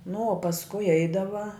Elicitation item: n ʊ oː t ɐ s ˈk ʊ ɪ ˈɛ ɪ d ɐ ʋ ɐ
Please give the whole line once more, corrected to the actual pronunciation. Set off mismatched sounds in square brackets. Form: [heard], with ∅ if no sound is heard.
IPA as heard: n ʊ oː [p] ɐ s ˈk ʊ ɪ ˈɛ ɪ d ɐ ʋ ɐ